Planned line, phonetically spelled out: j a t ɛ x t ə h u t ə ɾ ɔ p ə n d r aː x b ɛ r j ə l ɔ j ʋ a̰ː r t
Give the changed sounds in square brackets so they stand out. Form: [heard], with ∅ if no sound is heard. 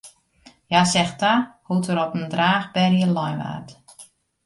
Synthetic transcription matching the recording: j a [s] ɛ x t [a] h u t ə ɾ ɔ p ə n d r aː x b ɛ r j ə l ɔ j ʋ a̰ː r t